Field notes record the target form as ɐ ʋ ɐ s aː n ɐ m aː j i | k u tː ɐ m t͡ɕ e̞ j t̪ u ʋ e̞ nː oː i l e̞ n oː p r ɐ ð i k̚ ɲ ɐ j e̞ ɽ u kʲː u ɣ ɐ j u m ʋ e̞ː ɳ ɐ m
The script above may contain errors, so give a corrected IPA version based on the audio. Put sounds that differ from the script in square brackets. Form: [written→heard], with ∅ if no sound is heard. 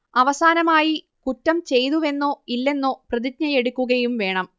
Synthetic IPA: ɐ ʋ ɐ s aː n ɐ m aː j i | k u tː ɐ m t͡ɕ e̞ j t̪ u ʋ e̞ nː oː i [l→lː] e̞ [n→nː] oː p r ɐ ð i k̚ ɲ ɐ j e̞ ɽ u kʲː u ɣ ɐ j u m ʋ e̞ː ɳ ɐ m